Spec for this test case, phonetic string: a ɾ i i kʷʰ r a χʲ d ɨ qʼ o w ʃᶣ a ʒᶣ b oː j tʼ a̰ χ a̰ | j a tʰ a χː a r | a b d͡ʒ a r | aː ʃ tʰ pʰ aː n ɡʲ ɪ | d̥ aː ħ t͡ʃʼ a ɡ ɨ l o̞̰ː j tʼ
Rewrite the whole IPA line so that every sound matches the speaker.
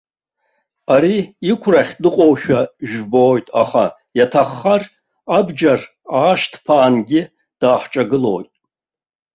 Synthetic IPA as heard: a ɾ i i kʷʰ r a χʲ d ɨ qʼ o w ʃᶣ a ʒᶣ b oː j tʼ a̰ χ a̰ | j a tʰ a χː a r | a b d͡ʒ a r | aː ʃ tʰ pʰ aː n ɡʲ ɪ | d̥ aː ħ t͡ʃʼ a ɡ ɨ l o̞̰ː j tʼ